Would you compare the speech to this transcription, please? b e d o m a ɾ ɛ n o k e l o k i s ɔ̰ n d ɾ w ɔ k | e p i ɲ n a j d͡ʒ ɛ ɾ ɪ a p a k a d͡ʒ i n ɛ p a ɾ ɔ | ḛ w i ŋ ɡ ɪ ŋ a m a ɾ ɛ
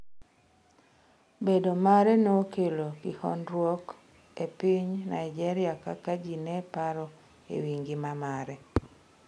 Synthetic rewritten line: b e d o m a ɾ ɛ n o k e l o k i h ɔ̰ n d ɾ w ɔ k | e p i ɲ n a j d͡ʒ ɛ ɾ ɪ a k a k a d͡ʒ i n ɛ p a ɾ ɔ | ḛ w i ŋ ɡ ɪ m a m a ɾ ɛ